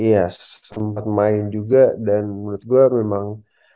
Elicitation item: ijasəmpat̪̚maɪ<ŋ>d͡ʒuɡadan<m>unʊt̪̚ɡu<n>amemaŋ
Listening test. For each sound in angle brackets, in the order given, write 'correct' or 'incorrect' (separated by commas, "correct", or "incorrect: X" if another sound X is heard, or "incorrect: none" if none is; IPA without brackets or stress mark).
incorrect: n, correct, incorrect: none